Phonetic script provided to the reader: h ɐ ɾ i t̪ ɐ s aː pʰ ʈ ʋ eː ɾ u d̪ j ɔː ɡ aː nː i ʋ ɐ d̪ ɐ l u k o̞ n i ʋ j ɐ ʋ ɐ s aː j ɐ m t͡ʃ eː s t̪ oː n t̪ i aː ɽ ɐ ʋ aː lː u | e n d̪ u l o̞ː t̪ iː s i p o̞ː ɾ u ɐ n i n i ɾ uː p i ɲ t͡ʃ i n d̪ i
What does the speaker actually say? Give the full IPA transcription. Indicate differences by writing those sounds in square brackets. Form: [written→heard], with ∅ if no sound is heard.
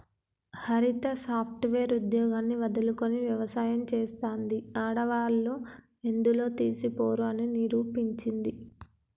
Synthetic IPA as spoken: h ɐ ɾ i t̪ ɐ s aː pʰ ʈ ʋ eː ɾ u d̪ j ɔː ɡ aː nː i ʋ ɐ d̪ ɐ l u k o̞ n i ʋ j ɐ ʋ ɐ s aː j ɐ m t͡ʃ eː s t̪ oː n [t̪→d̪] i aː ɽ ɐ ʋ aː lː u | e n d̪ u l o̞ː t̪ iː s i p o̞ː ɾ u ɐ n i n i ɾ uː p i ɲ t͡ʃ i n d̪ i